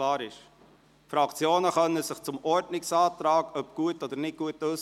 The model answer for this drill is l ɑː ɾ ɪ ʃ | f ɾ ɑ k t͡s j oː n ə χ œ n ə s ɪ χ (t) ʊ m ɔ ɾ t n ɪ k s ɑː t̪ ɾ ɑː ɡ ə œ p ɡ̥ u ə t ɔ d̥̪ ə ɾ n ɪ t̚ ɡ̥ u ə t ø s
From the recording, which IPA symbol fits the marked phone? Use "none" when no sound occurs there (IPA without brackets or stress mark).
t͡s